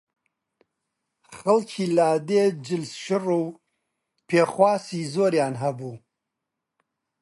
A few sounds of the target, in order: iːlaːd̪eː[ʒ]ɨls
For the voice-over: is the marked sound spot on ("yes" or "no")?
no